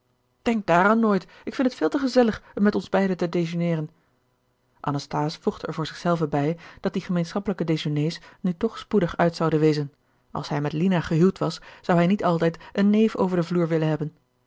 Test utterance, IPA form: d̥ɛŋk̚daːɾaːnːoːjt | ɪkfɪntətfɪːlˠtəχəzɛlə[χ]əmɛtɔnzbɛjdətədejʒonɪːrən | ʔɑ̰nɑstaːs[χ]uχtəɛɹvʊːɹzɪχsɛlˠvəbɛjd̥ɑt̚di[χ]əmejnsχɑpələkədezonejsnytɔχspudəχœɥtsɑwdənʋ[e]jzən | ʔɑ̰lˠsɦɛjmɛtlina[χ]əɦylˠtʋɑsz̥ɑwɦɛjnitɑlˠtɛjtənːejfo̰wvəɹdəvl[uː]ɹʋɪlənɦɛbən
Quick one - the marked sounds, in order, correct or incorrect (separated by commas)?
correct, incorrect, correct, correct, correct, correct